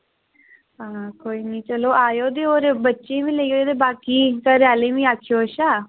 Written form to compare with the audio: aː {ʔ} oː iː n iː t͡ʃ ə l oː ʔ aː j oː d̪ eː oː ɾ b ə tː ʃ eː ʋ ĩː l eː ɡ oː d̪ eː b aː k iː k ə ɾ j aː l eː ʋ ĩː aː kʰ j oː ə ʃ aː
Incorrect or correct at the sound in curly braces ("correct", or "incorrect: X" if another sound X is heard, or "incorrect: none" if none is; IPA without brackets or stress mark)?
incorrect: k